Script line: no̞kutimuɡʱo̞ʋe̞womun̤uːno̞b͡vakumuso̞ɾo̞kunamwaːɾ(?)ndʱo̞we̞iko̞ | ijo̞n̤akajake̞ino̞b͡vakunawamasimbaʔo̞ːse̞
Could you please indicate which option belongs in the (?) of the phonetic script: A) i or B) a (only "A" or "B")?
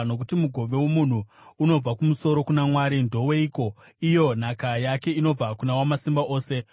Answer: A